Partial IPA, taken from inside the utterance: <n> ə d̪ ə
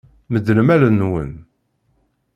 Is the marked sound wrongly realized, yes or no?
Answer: yes